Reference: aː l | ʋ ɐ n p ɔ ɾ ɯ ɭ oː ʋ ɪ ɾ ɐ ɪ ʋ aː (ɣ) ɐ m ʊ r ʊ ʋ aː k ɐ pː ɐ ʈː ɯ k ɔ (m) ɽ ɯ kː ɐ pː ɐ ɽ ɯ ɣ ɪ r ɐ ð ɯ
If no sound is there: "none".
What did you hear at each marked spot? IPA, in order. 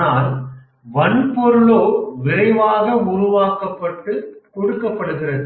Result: ɣ, none

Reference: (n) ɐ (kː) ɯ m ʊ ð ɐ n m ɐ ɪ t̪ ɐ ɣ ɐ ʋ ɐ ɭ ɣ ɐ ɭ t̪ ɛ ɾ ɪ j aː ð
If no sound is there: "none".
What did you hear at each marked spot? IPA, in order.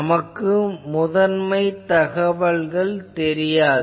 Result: m, kː

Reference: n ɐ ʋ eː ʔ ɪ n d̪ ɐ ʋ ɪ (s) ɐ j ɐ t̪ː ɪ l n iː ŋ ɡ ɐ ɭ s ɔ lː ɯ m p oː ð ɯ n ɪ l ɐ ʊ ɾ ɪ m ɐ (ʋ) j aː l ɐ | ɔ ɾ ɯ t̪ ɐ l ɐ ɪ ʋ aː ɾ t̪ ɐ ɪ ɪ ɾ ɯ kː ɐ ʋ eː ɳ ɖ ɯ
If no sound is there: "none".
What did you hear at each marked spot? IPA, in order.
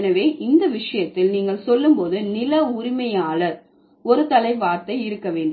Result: ʂ, none

